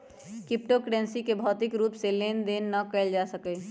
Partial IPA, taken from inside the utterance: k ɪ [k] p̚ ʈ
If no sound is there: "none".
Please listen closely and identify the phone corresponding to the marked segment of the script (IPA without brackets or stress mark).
none